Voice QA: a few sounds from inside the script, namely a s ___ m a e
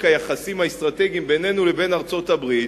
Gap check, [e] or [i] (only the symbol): i